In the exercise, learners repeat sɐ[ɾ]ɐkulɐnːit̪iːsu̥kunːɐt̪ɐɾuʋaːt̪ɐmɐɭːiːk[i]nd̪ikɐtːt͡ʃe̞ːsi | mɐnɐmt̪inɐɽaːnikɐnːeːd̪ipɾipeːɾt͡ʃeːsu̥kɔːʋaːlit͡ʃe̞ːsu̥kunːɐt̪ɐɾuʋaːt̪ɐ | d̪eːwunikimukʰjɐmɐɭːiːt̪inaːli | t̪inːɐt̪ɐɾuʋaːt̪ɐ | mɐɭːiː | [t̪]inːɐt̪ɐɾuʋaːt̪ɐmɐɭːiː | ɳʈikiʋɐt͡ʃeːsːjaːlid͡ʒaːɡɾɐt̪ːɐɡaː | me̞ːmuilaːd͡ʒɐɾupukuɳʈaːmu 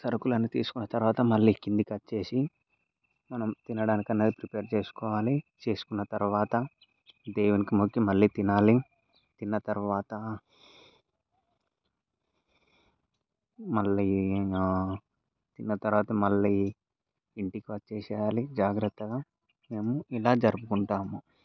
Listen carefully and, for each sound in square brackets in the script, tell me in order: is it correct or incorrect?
correct, correct, correct

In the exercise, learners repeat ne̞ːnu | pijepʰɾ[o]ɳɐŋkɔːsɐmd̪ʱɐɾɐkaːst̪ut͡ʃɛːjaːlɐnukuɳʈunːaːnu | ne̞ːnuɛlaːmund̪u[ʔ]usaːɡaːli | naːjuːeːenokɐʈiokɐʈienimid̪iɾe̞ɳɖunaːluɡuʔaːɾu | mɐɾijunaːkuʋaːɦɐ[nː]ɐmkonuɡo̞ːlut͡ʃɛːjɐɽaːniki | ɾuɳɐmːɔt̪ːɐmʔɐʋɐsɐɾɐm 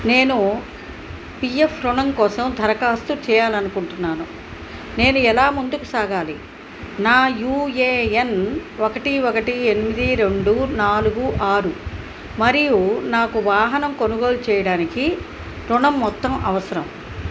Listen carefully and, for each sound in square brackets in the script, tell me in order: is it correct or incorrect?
incorrect, incorrect, incorrect

